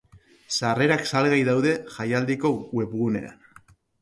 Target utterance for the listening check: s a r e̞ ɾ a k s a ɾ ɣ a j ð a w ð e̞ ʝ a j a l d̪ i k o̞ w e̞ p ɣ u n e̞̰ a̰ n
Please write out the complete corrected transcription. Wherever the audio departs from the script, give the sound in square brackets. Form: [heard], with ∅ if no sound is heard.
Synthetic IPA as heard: s a r e̞ ɾ a k s a [l] ɣ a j ð a w ð e̞ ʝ a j a l d̪ i k o̞ w e̞ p ɣ u n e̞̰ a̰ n